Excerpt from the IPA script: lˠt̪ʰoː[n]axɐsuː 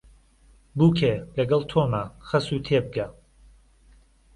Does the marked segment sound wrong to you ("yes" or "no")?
yes